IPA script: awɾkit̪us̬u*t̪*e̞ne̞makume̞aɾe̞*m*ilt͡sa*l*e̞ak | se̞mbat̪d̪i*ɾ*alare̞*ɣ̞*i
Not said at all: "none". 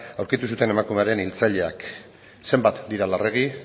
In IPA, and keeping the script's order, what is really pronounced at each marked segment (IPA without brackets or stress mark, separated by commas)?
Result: t̪, n, ʎ, ɾ, ɣ̞